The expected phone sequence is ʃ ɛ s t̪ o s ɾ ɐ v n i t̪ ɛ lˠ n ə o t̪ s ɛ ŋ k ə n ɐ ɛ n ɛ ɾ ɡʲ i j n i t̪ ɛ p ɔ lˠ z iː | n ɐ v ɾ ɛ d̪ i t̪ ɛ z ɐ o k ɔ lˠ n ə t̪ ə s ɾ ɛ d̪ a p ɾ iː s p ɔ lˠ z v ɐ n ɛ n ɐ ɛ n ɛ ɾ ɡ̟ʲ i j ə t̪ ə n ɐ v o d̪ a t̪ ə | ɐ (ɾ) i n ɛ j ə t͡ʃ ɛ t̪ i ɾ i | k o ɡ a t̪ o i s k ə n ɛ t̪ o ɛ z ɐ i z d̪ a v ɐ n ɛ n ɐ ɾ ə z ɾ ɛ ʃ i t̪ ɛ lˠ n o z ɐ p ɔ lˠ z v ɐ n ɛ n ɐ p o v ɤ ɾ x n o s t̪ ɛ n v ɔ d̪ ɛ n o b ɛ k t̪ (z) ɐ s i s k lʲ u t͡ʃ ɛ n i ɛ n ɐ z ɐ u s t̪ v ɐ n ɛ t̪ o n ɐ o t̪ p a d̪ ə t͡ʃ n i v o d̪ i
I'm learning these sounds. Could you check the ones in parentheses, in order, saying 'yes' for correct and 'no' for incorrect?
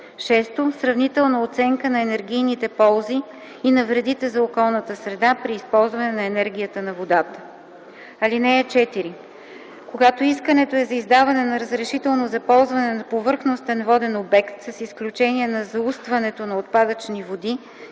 no, no

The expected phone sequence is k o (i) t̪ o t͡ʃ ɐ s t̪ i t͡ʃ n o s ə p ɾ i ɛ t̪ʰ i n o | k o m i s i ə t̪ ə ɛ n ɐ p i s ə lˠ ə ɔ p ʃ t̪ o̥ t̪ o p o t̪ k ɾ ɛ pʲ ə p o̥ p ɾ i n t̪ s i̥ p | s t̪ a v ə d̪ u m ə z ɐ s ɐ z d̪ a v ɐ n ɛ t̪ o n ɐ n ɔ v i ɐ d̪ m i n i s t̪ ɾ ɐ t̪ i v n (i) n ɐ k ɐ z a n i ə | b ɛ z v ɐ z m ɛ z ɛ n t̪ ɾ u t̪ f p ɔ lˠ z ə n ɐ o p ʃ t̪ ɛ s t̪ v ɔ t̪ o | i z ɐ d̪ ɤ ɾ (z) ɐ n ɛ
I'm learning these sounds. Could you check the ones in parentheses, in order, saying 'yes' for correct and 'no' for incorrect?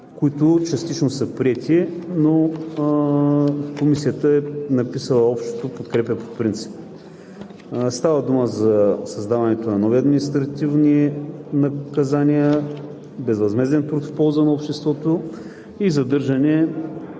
yes, yes, no

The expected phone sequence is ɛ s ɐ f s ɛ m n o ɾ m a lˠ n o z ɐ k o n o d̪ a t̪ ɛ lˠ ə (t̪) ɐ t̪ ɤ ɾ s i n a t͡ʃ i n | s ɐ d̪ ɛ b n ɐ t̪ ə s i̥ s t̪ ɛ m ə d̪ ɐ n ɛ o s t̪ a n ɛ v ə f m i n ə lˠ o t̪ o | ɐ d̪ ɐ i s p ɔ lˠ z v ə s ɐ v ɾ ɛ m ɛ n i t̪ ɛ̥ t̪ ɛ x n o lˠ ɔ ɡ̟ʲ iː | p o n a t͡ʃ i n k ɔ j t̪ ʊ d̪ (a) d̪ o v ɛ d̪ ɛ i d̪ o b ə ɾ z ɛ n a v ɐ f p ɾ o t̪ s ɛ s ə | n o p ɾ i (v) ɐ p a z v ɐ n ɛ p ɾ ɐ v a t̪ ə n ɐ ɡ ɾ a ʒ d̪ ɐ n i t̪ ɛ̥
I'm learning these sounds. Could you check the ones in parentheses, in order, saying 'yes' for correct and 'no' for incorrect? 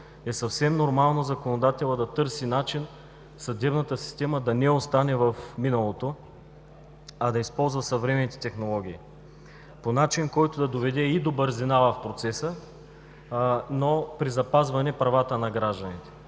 no, no, no

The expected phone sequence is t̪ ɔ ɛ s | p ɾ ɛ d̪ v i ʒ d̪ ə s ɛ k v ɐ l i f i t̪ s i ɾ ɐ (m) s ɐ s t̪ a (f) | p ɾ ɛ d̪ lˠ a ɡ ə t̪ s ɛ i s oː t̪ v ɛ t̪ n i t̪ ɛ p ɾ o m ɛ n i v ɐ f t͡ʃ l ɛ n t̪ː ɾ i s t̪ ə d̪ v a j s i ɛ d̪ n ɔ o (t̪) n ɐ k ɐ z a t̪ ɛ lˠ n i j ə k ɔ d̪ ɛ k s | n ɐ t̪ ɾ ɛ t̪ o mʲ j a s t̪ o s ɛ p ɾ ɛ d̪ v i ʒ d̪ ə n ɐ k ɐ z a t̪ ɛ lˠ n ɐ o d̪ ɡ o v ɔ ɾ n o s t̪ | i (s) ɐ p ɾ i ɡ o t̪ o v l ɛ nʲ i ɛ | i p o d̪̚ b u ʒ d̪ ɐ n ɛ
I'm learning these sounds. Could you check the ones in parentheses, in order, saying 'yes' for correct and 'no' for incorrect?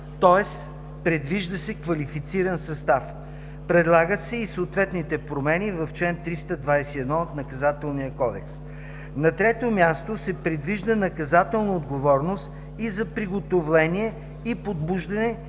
no, yes, yes, no

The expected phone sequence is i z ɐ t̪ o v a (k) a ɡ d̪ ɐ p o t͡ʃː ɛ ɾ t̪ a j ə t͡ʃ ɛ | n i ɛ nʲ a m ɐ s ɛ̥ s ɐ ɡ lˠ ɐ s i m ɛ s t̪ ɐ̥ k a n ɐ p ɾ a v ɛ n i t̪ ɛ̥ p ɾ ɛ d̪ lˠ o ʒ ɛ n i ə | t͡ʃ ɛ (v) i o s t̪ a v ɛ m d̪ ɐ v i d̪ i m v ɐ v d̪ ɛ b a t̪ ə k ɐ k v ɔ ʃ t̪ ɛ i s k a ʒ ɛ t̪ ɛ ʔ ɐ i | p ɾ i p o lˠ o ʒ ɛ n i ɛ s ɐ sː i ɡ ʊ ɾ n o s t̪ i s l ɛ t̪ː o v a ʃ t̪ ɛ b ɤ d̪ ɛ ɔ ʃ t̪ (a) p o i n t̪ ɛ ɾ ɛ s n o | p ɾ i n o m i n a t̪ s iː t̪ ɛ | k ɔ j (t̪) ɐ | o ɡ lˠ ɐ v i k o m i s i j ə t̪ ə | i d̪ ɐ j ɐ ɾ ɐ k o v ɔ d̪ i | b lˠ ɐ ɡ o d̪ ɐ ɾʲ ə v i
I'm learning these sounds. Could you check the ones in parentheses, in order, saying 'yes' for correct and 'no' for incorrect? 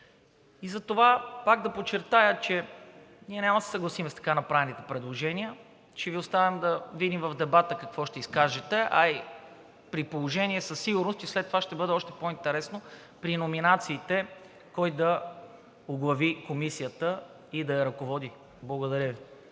no, yes, no, no

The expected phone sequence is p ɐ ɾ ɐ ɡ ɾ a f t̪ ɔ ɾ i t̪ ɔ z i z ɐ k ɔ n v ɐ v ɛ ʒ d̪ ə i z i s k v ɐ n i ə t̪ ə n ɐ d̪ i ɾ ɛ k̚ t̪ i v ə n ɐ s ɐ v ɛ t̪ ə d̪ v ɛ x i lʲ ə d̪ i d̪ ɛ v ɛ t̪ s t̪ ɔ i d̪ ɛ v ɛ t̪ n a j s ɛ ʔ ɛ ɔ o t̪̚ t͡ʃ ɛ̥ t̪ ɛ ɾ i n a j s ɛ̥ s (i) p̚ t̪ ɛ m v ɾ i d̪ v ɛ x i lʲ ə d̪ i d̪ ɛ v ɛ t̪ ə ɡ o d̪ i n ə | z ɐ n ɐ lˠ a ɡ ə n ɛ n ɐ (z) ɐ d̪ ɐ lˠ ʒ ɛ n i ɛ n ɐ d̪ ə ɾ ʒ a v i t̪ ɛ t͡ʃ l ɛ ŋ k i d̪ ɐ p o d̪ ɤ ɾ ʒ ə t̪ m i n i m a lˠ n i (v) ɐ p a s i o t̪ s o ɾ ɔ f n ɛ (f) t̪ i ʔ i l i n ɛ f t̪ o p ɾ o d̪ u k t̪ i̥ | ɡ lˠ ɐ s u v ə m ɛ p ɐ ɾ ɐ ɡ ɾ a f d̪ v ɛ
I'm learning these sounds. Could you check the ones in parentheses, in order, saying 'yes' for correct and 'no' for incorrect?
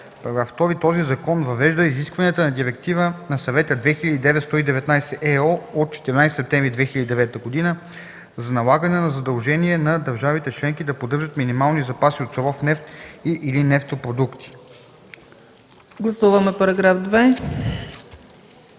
no, yes, no, yes

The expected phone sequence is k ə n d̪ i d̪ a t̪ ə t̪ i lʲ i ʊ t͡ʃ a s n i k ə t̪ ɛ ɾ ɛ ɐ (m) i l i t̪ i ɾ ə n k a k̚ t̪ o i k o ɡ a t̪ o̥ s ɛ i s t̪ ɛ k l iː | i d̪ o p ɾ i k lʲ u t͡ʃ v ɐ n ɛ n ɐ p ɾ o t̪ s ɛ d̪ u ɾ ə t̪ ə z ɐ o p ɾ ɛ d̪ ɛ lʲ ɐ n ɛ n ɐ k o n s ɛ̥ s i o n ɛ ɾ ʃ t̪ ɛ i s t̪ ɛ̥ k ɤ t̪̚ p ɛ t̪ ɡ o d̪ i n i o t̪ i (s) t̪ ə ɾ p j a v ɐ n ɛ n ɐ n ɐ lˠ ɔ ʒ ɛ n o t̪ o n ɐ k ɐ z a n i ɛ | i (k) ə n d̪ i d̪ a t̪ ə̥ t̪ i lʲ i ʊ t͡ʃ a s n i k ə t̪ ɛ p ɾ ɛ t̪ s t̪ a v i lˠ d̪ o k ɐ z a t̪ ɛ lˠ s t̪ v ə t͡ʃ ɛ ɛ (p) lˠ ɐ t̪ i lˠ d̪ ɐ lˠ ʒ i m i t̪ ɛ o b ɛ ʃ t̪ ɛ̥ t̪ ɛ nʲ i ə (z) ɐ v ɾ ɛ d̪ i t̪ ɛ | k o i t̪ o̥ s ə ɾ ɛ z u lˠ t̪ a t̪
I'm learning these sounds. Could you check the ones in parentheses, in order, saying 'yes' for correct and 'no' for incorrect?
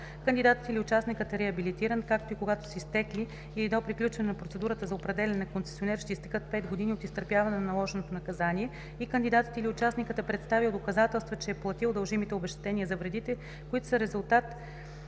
no, yes, yes, yes, yes

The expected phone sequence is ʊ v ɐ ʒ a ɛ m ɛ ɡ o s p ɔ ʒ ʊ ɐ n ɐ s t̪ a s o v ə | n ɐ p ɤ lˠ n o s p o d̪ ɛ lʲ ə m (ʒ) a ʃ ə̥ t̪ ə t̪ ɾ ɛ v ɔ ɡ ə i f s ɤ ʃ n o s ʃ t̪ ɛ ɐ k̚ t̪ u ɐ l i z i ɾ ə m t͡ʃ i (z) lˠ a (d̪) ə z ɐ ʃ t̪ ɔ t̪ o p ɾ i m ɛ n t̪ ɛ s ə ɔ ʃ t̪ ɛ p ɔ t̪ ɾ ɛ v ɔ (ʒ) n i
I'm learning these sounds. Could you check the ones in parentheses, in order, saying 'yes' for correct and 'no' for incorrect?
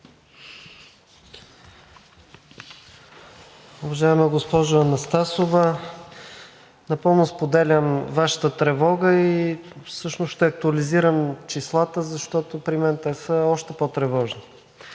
no, no, no, yes

